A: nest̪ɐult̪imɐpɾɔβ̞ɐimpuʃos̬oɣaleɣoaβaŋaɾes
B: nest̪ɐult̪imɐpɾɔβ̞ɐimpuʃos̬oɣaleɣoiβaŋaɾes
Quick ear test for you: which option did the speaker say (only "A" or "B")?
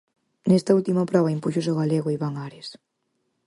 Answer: B